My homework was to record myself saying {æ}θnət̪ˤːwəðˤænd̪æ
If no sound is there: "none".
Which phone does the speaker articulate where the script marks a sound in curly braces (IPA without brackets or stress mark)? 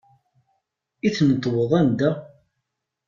i